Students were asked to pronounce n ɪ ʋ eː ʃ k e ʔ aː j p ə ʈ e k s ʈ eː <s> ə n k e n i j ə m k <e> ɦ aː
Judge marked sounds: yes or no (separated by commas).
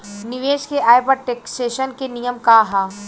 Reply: no, no